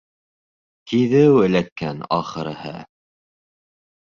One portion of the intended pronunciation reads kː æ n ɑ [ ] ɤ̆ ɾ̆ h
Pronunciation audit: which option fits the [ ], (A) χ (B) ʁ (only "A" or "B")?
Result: A